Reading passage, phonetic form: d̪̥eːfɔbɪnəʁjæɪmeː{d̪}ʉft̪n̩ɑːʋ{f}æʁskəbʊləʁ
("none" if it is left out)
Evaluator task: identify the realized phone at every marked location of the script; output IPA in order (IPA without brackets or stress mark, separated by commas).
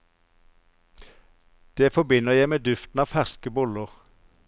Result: d̪, f